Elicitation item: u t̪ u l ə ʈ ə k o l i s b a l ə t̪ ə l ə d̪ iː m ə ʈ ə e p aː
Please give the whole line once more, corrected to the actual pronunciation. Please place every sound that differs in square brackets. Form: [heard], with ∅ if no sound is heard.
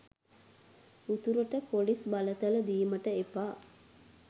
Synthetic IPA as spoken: u t̪ u [ɾ] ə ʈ ə [p] o l i s b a l ə t̪ ə l ə d̪ iː m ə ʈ ə e p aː